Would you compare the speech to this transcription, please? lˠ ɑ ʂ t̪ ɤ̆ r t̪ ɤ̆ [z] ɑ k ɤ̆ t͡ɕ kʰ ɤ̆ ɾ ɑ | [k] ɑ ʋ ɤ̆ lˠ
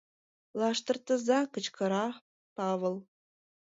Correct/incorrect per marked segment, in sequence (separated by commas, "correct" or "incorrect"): correct, incorrect